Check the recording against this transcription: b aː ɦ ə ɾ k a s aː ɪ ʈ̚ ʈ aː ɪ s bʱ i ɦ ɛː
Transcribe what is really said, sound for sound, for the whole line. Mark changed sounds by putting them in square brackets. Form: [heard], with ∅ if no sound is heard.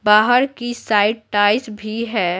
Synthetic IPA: b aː ɦ ə ɾ k [i] s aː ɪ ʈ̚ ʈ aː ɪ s bʱ i ɦ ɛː